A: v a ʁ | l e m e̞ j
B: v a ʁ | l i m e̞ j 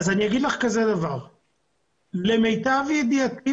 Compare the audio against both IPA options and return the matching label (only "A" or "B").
A